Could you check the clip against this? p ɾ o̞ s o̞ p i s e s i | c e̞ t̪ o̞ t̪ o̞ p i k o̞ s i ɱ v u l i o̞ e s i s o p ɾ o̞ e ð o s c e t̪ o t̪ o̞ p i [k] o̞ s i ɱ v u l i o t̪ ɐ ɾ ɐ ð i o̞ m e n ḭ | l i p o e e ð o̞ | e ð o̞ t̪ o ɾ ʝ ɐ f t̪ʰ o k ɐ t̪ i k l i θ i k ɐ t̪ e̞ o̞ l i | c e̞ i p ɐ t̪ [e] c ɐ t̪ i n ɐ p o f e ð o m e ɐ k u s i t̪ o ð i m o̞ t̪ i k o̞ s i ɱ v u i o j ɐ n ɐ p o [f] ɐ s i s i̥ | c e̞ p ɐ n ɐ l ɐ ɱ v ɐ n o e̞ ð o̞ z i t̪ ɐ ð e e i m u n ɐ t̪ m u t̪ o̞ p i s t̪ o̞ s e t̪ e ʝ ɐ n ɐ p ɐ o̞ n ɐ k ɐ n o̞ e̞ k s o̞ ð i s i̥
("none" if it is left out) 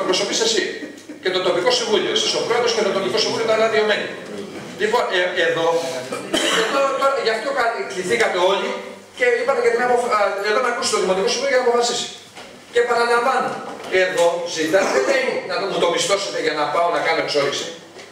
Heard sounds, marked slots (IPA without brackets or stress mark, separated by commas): k, e, f